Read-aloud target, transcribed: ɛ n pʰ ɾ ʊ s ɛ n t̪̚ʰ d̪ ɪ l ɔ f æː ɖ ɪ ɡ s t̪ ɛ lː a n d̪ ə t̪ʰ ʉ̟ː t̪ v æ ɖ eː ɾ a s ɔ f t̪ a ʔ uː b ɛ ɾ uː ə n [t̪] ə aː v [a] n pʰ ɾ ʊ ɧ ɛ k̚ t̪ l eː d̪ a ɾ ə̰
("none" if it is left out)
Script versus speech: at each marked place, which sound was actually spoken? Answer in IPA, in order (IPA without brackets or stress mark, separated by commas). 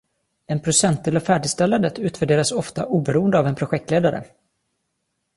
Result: d̪, ɛ